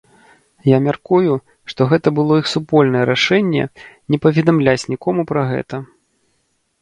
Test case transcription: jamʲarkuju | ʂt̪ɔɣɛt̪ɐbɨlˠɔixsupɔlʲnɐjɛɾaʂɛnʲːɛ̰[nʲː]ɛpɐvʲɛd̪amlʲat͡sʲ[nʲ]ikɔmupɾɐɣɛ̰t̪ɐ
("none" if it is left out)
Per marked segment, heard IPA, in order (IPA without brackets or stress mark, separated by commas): nʲ, nʲ